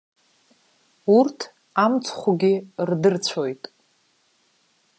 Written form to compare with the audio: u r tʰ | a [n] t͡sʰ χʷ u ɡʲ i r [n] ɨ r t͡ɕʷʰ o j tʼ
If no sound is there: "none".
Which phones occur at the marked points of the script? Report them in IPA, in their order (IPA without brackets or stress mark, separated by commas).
m, d